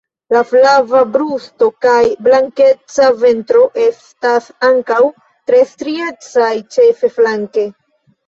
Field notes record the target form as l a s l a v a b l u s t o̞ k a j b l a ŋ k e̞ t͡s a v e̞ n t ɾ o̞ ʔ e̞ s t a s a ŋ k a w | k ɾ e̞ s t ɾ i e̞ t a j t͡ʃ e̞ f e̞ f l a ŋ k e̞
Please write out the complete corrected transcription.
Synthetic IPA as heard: l a f l a v a b ɾ u s t o̞ k a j b l a ŋ k e̞ t͡s a v e̞ n t ɾ o̞ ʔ e̞ s t a s a ŋ k a w | t ɾ e̞ s t ɾ i e̞ t͡s a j t͡ʃ e̞ f e̞ f l a ŋ k e̞

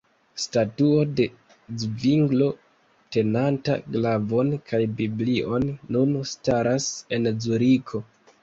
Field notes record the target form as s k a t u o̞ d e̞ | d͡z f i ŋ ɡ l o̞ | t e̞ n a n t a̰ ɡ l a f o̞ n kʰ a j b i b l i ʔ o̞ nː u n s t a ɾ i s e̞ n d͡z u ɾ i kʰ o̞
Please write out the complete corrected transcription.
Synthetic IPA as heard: s t a t u o̞ d e̞ | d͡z v i ŋ ɡ l o̞ | t e̞ n a n t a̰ ɡ l a v o̞ n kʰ a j b i b l i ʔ o̞ nː u n s t a ɾ a s e̞ n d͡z u ɾ i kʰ o̞

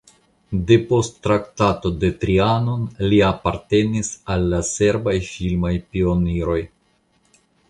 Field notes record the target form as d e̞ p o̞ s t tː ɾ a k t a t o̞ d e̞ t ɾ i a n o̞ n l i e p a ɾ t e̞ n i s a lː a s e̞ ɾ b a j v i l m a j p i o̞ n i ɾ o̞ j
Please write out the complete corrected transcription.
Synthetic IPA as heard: d e̞ p o̞ s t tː ɾ a k t a t o̞ d e̞ t ɾ i a n o̞ n l i a p a ɾ t e̞ n i s a lː a s e̞ ɾ b a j f i l m a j p i o̞ n i ɾ o̞ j

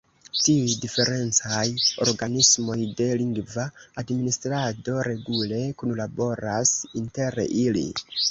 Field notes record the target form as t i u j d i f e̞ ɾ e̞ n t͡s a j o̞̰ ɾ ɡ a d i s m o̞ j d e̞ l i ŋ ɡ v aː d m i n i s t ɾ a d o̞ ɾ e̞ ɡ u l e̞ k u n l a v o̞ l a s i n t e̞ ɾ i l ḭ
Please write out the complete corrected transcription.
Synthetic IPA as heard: t i u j d i f e̞ ɾ e̞ n t͡s a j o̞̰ ɾ ɡ a n i s m o̞ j d e̞ l i ŋ ɡ v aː d m i n i s t ɾ a d o̞ ɾ e̞ ɡ u l e̞ k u n l a b o̞ ɾ a s i n t e̞ ɾ i l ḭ

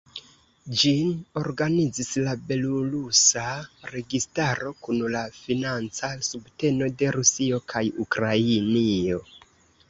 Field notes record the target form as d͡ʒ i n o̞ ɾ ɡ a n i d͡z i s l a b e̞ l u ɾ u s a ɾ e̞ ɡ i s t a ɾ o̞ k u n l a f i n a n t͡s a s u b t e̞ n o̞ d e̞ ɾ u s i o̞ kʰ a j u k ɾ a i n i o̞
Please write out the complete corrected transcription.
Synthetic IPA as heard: d͡ʒ i n o̞ ɾ ɡ a n i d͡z i s l a b e̞ l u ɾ u s a ɾ e̞ ɡ i s t a ɾ o̞ k u n l a f i n a n t͡s a s u b t e̞ n o̞ d e̞ ɾ u s i o̞ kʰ a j u k ɾ a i n i o̞

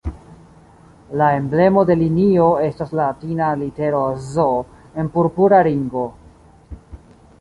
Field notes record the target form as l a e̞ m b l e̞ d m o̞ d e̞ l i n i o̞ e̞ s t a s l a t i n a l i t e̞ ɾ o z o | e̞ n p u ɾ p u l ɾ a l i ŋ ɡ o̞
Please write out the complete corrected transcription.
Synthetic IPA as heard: l a e̞ m b l e̞ m o̞ d e̞ l i n i o̞ e̞ s t a s l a t i n a l i t e̞ ɾ o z o | e̞ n p u ɾ p u ɾ a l i ŋ ɡ o̞

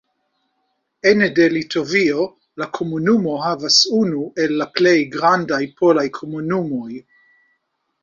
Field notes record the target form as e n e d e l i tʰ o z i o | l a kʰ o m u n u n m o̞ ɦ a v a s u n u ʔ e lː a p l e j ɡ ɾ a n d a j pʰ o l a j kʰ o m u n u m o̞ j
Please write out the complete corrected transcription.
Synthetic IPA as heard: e n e d e l i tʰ o v i o | l a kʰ o m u n u m o̞ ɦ a v a s u n u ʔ e lː a p l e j ɡ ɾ a n d a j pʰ o l a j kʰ o m u n u m o̞ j

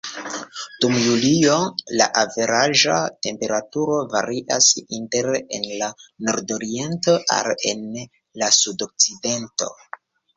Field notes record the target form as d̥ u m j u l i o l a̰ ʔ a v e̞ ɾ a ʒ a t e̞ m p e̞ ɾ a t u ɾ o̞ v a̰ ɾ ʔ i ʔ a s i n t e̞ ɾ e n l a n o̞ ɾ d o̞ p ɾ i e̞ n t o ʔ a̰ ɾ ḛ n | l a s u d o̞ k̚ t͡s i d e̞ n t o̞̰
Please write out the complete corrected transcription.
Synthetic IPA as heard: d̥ u m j u l i o l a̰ ʔ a v e̞ ɾ a ʒ a t e̞ m p e̞ ɾ a t u ɾ o̞ v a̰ ɾ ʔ i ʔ a s i n t e̞ ɾ e n l a n o̞ ɾ d o̞ ɾ i e̞ n t o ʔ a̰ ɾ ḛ n | l a s u d o̞ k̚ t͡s i d e̞ n t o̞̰

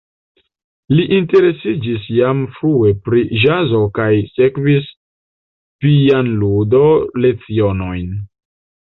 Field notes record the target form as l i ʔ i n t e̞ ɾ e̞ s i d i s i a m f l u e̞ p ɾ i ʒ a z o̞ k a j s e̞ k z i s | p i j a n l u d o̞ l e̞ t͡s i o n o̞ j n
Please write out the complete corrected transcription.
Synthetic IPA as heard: l i ʔ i n t e̞ ɾ e̞ s i d͡ʒ i s j a m f ɾ u e̞ p ɾ i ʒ a z o̞ k a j s e̞ k v i s | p i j a n l u d o̞ l e̞ t͡s i o n o̞ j n

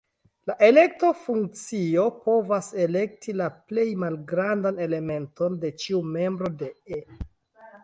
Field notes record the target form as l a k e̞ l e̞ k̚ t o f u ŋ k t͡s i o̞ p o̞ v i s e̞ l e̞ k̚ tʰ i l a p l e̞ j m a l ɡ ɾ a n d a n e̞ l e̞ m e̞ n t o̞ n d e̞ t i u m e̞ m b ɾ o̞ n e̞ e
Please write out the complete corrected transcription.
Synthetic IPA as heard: l a ʔ e̞ l e̞ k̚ t o f u ŋ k t͡s i o̞ p o̞ v a s e̞ l e̞ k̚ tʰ i l a p l e̞ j m a l ɡ ɾ a n d a n e̞ l e̞ m e̞ n t o̞ n d e̞ t͡ʃ i u m e̞ m b ɾ o̞ d e̞ e

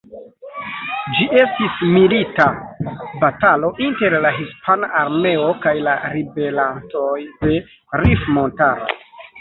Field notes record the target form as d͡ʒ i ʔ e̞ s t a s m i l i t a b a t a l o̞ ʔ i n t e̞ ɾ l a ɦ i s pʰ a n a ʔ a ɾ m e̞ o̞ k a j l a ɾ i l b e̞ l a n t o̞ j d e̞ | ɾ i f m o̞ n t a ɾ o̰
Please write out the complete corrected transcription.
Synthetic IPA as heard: d͡ʒ i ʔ e̞ s t i s m i l i t a b a t a l o̞ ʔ i n t e̞ ɾ l a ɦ i s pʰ a n a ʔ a ɾ m e̞ o̞ k a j l a ɾ i b e̞ l a n t o̞ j d e̞ | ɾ i f m o̞ n t a ɾ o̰

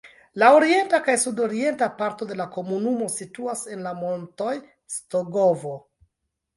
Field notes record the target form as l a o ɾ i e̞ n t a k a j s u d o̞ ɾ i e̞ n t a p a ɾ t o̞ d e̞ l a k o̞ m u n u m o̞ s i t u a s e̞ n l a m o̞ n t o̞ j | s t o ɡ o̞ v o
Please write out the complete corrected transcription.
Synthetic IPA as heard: l a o ɾ i e̞ n t a k a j s u d o̞ ɾ i e̞ n t a p a ɾ t o̞ d e̞ l a k o̞ m u n u m o̞ s i t u a s e̞ n l a m o̞ n t o̞ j | s t o ɡ o̞ v o

